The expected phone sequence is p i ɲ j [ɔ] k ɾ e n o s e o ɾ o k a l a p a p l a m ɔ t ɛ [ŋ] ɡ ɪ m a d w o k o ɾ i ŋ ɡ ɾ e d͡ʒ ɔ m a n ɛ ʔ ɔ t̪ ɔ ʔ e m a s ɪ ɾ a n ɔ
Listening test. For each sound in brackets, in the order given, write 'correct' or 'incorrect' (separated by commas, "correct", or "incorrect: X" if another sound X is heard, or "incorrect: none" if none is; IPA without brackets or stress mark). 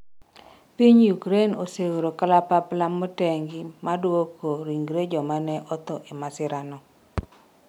incorrect: u, correct